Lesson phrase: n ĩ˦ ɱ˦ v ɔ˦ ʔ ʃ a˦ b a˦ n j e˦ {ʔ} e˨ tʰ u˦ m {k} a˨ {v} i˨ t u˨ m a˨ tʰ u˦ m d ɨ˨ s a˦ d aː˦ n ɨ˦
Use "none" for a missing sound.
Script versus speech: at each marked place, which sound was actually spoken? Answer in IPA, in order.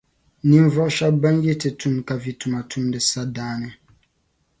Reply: t, k, v

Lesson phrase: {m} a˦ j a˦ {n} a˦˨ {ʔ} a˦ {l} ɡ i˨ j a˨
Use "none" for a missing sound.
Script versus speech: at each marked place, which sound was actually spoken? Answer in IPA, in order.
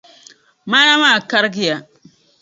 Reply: m, m, k, ɾ

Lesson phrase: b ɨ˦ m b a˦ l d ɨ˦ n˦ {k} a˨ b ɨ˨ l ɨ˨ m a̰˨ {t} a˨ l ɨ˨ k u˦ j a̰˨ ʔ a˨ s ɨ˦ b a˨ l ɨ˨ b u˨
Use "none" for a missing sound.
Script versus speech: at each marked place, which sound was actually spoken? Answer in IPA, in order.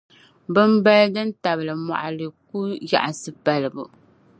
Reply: t, ʔ

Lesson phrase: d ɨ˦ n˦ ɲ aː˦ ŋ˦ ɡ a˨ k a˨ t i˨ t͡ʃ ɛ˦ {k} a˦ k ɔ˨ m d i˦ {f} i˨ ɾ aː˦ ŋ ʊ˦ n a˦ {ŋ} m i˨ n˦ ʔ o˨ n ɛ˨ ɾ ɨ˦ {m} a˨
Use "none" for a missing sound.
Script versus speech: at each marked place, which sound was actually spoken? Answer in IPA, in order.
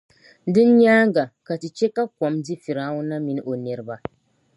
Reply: k, f, none, b

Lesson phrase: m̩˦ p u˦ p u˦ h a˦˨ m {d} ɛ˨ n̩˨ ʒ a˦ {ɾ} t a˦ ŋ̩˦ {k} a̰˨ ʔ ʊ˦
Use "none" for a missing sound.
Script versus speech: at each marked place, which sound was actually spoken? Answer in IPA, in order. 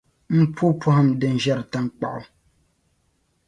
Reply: d, ɾ, k͡p

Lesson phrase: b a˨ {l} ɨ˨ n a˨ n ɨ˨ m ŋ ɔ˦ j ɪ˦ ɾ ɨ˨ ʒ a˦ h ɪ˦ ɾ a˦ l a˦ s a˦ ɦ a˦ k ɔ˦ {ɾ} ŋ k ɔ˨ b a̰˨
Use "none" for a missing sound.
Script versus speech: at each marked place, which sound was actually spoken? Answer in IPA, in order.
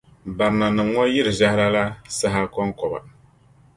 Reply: ɾ, none

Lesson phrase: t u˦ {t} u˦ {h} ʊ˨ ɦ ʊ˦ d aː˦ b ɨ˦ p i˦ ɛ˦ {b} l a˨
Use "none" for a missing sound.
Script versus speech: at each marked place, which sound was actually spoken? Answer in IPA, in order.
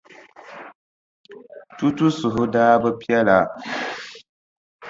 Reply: t, s, none

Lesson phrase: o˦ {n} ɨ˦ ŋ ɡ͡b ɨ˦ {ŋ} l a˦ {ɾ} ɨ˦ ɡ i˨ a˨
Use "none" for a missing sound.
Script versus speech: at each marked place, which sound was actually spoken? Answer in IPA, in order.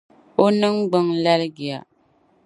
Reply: n, ŋ, l

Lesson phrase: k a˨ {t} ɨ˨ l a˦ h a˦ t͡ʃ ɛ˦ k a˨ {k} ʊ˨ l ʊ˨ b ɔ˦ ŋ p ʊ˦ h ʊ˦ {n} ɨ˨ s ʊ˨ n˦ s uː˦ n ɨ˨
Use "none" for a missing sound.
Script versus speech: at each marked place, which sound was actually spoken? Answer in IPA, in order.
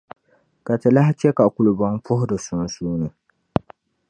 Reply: t, k, d

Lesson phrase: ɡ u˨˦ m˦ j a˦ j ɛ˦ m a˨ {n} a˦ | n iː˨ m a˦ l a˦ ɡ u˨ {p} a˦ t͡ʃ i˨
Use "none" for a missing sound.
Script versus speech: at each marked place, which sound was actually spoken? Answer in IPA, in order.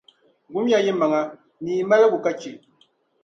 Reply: ŋ, k

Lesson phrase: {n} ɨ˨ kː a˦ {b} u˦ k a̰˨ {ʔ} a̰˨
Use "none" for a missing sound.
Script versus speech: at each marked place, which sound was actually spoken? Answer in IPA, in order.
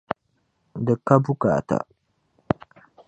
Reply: d, b, t

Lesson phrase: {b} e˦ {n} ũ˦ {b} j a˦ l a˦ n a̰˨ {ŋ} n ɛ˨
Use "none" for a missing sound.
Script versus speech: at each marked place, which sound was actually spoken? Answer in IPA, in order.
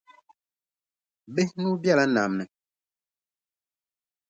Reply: b, n, b, m

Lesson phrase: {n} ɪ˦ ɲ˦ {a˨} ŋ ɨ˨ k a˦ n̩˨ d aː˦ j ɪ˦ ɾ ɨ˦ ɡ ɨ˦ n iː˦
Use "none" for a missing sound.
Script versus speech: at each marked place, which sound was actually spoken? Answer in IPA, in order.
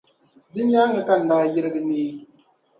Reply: d, a˦

